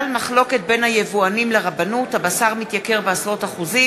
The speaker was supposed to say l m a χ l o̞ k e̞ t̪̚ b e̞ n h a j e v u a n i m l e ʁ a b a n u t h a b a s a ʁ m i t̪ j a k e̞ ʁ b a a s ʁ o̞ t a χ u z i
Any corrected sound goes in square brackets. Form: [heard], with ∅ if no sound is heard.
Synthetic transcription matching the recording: l m a χ l o̞ k e̞ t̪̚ b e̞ n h a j e v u a n i m l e ʁ a b a n u t h a b a s a ʁ m i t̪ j a k e̞ ʁ b [e] a s ʁ o̞ t a χ u z i